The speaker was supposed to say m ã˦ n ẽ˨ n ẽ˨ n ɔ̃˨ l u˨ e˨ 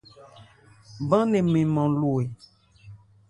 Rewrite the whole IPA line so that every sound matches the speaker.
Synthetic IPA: b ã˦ n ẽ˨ m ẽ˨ m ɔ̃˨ l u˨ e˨

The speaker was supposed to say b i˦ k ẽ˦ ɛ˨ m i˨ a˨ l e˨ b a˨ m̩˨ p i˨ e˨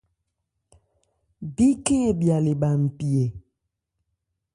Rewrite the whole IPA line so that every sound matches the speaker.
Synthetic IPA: b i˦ k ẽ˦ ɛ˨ b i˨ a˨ l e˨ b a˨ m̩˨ p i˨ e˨

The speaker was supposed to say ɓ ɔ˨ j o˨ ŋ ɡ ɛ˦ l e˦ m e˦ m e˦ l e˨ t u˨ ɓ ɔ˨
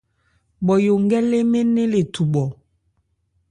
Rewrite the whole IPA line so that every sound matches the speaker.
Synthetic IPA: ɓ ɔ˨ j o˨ ŋ ɡ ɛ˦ l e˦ m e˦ n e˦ l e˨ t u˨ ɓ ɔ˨

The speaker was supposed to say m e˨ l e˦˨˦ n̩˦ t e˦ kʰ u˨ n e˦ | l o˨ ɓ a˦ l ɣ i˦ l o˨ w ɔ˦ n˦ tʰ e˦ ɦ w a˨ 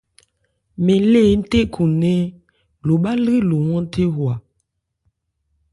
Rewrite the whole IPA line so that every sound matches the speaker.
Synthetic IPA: m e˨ l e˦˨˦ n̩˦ t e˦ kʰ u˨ n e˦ | l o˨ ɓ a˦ l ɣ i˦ l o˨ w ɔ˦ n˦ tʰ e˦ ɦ w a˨

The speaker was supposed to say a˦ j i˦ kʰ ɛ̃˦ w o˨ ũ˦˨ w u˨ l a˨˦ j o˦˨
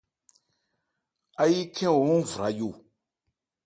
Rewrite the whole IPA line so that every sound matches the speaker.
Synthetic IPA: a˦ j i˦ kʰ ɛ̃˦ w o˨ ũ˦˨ v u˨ ɾ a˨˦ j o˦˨

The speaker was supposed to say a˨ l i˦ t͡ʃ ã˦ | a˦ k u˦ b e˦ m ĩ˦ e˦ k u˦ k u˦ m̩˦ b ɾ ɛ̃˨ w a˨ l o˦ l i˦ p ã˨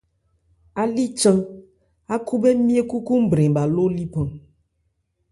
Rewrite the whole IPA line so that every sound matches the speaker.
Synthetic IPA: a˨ l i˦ t͡ʃ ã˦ | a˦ k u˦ b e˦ m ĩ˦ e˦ k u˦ k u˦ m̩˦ b ɾ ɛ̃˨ b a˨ l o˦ l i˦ p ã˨

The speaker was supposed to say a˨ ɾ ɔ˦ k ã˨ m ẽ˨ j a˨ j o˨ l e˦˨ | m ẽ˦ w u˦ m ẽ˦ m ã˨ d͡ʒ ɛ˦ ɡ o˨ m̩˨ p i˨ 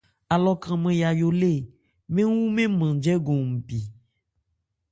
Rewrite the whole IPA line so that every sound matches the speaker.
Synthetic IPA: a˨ l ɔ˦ k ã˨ m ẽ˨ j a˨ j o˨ l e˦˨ | m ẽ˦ w u˦ m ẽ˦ m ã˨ d͡ʒ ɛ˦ ɡ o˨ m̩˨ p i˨

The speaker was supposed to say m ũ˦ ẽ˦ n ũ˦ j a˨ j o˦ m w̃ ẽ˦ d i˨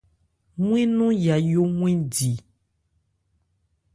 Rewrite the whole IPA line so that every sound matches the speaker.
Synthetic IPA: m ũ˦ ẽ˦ n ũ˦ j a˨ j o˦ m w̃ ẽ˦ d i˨

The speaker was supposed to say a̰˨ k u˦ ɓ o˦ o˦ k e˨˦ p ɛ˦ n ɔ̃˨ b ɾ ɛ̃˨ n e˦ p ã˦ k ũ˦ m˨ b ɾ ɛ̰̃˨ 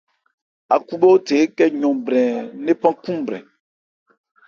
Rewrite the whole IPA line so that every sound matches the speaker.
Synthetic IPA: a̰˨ k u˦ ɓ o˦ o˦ t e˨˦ k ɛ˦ ɲ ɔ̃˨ b ɾ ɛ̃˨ n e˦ p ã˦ k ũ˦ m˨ b ɾ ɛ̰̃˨

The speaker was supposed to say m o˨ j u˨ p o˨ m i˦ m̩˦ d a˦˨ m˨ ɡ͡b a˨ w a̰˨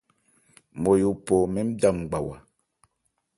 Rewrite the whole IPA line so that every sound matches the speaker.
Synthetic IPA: m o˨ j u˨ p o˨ m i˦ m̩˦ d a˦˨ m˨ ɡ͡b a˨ w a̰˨

